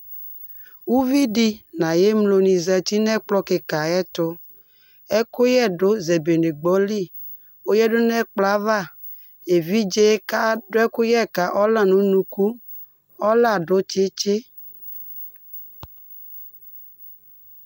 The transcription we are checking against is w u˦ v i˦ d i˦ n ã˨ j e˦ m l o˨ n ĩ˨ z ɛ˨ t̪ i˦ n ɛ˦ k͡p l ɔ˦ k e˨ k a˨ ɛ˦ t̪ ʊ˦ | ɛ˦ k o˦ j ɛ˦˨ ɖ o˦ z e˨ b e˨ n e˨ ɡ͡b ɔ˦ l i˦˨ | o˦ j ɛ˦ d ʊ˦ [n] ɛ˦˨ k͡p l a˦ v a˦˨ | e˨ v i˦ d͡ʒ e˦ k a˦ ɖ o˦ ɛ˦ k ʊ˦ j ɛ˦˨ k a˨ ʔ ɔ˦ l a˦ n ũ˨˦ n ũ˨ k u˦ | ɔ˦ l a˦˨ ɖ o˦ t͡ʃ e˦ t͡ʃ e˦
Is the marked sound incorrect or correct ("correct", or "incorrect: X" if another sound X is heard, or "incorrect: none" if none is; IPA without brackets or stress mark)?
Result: correct